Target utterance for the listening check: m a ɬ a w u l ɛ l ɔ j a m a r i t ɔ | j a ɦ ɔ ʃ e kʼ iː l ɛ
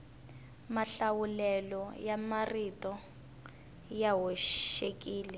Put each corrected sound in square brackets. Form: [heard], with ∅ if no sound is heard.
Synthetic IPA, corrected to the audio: m a ɬ a w u l ɛ l ɔ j a m a r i t ɔ | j a ɦ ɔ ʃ e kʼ iː l ɛ